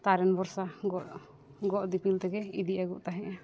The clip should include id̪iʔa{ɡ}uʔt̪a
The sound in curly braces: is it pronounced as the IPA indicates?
yes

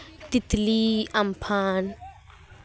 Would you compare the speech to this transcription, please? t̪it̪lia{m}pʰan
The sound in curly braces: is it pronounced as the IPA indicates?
yes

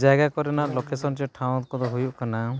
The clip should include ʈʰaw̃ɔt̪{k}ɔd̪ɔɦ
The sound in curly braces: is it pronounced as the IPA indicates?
yes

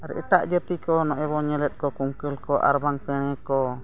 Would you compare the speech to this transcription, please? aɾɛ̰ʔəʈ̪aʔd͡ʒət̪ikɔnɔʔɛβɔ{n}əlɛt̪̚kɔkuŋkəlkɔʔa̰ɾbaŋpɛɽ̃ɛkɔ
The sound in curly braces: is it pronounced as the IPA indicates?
no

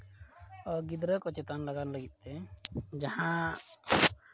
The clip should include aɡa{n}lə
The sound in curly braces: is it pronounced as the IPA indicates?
yes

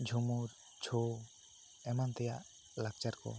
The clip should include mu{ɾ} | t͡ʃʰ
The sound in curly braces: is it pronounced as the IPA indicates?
yes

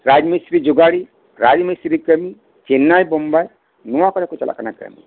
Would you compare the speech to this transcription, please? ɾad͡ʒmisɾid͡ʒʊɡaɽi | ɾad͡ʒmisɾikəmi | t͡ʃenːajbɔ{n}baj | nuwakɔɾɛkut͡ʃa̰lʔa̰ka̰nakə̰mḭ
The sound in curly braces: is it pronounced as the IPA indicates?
no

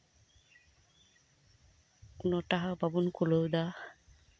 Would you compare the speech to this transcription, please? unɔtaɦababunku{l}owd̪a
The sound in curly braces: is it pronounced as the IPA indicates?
yes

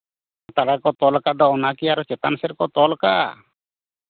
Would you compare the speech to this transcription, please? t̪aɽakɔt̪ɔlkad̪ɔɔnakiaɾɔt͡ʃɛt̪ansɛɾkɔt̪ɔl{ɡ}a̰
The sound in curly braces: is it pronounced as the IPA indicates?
no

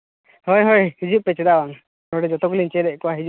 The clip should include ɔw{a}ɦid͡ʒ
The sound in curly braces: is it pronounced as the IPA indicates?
yes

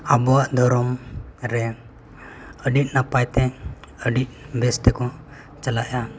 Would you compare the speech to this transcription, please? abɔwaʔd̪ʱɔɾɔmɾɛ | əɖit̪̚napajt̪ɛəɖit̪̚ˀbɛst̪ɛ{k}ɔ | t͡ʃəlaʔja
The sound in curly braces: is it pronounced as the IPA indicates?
yes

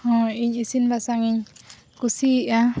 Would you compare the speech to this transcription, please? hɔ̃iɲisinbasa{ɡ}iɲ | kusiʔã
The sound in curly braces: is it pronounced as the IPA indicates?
no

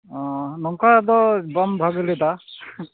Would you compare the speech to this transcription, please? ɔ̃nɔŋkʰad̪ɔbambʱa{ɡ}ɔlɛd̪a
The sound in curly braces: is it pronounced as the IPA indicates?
yes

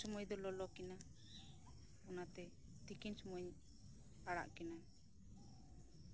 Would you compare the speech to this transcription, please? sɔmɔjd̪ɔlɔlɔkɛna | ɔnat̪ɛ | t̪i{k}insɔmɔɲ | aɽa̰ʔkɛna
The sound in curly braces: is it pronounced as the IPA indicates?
yes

